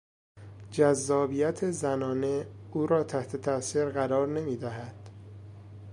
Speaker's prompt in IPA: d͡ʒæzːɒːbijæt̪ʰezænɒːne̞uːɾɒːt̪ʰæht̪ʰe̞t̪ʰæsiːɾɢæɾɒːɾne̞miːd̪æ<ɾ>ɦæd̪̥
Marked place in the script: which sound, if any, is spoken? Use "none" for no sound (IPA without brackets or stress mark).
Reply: none